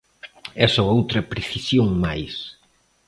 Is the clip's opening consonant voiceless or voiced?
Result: voiceless